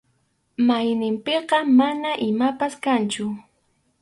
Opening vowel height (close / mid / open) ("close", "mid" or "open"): open